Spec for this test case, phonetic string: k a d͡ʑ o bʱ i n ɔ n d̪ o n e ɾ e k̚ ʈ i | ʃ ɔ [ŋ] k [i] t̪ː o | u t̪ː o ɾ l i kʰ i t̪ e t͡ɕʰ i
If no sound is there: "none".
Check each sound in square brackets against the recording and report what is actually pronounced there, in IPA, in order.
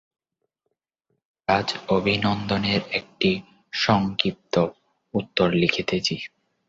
ŋ, i

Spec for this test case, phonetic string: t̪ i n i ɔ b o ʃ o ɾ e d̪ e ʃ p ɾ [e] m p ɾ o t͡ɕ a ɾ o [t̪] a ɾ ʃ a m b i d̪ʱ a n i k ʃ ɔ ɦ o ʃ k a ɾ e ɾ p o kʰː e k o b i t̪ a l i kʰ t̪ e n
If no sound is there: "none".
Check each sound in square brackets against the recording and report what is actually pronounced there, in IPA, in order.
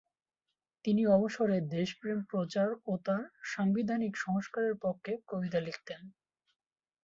e, t̪

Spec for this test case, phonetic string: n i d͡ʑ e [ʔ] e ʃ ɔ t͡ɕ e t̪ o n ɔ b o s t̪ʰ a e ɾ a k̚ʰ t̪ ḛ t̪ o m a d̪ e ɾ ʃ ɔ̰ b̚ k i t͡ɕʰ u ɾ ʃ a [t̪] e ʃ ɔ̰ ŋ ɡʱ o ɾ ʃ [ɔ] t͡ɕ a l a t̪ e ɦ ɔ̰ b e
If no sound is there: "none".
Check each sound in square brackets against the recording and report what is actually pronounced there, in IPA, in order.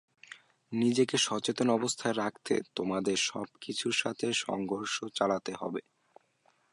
k, t̪ʰ, o

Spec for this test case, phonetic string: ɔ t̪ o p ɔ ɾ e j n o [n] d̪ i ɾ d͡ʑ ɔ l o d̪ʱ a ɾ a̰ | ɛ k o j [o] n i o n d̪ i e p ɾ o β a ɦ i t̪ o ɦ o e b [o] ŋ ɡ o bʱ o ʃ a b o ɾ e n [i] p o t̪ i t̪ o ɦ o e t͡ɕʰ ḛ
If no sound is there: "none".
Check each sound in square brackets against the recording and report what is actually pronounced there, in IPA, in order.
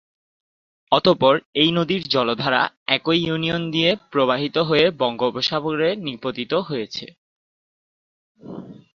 none, u, ɔ, i

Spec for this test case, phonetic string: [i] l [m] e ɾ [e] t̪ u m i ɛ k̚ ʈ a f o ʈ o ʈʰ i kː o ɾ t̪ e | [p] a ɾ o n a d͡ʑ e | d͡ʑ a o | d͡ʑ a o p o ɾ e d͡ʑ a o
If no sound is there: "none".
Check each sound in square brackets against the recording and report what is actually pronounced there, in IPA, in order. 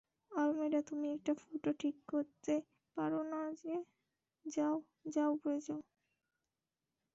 a, m, a, p

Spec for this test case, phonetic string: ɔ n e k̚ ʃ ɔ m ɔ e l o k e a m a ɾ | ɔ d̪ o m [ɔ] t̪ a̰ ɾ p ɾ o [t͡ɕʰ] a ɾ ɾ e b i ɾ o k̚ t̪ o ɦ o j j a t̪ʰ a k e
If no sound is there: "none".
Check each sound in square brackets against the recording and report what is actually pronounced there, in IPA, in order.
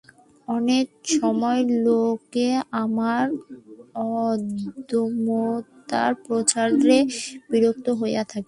o, t͡ɕ

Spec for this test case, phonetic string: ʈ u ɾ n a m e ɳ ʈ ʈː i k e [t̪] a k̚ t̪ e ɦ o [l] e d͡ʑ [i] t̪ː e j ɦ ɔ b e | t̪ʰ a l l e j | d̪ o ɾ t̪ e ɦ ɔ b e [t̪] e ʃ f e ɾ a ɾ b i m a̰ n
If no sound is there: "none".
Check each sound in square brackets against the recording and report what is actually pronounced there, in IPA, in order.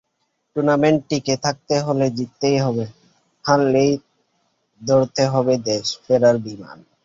t̪ʰ, l, i, d̪

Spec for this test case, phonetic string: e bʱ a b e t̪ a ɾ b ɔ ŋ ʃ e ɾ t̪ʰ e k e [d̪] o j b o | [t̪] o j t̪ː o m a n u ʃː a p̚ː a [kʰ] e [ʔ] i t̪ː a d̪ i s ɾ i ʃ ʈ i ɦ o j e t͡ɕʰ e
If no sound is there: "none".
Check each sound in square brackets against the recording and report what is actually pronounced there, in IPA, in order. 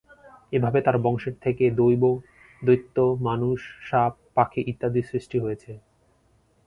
d̪, d̪, kʰ, ʔ

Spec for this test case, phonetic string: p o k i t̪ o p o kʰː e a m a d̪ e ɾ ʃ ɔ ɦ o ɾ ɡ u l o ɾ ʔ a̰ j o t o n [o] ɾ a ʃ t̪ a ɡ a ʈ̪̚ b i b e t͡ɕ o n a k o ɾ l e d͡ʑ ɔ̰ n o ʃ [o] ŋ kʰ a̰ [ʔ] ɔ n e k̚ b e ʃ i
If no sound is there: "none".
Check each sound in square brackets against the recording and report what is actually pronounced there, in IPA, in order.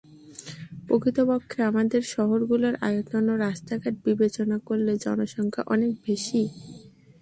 o, ɔ, ʔ

